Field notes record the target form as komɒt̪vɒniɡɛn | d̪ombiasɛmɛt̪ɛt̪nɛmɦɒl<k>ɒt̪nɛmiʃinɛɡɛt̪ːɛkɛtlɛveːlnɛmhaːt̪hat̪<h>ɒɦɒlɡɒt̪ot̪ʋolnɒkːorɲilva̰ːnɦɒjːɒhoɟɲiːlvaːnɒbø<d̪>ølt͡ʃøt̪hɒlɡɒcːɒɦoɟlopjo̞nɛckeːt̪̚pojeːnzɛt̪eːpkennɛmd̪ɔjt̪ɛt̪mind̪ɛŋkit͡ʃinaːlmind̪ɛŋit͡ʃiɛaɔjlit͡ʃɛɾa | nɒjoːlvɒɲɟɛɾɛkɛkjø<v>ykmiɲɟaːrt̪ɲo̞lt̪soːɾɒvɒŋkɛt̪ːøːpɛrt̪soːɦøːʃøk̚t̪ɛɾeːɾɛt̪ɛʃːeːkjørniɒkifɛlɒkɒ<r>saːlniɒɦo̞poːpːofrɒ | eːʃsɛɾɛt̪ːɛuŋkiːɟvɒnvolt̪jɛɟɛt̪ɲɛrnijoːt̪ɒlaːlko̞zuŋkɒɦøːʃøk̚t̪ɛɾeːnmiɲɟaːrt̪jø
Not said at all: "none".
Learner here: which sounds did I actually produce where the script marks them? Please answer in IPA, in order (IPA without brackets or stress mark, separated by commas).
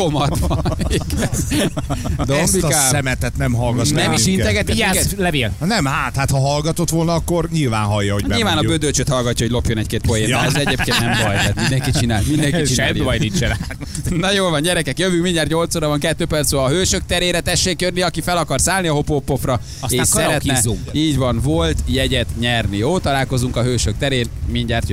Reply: ɡ, h, d̪, v, r